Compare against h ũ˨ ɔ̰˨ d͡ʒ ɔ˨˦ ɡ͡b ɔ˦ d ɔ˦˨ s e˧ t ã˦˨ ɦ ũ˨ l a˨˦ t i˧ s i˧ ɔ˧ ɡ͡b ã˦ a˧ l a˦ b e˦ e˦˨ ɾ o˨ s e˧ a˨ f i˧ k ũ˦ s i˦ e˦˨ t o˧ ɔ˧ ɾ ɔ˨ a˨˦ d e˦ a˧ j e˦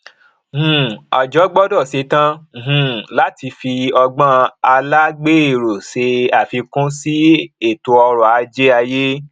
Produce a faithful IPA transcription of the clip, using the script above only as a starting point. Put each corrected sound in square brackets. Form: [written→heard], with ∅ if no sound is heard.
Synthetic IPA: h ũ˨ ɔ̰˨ d͡ʒ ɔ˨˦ ɡ͡b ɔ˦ d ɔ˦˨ s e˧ t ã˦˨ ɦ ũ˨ l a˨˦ t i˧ [s→f] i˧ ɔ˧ ɡ͡b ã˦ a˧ l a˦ [b→ɡ͡b] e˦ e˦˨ ɾ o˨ s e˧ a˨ f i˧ k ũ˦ s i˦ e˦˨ t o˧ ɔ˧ ɾ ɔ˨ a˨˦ [d→d͡ʒ] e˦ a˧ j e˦